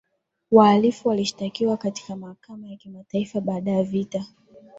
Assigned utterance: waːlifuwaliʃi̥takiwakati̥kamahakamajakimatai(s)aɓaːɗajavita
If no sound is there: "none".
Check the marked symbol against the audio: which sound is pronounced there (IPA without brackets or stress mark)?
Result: f